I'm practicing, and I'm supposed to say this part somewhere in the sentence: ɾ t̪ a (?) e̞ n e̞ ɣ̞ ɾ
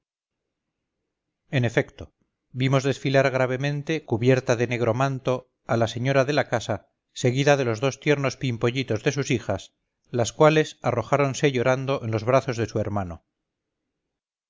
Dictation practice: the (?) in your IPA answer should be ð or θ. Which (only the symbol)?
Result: ð